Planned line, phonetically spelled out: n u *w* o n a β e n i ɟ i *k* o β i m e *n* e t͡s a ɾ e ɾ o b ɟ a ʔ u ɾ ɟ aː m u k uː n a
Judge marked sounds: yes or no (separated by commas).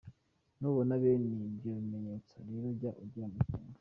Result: no, no, no